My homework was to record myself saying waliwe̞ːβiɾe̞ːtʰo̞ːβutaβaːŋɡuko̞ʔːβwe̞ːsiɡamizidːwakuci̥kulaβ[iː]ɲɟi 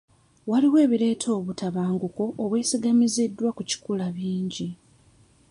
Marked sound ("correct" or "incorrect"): correct